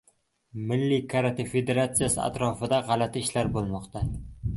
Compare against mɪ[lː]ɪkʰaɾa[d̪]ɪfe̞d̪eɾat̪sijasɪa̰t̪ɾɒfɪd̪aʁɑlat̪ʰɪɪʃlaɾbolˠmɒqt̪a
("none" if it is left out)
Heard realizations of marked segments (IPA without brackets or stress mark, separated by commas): lː, t̪